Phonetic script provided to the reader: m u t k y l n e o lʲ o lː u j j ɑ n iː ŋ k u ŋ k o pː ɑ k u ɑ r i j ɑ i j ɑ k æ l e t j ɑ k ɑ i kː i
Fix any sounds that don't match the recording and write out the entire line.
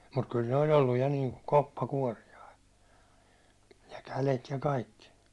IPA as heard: m u t k y l n e o lʲ o lː u j j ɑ n iː ŋ k u k o pː ɑ k u ɒ r i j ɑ i j ɑ k æ l e t j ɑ k ɑ i kː i